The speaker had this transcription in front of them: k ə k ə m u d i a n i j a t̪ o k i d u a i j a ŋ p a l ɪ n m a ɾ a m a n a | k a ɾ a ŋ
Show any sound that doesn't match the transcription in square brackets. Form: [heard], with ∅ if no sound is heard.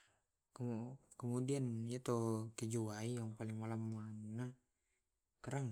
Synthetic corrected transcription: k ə k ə m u d i a n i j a t̪ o k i [d͡ʒ] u a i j a ŋ p a l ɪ [ŋ] m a [l] a m a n a | k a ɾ a ŋ